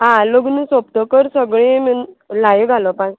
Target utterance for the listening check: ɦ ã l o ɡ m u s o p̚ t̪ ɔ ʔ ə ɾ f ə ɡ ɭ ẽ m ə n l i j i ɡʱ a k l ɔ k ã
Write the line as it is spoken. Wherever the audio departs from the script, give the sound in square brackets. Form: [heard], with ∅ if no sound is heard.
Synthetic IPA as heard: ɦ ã l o ɡ [n] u s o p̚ t̪ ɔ [k] ə ɾ [s] ə ɡ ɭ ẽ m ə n l [a] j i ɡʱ a [∅] l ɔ [p] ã